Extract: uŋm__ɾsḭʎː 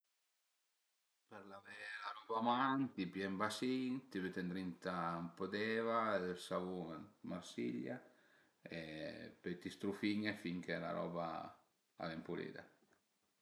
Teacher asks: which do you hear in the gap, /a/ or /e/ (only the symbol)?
a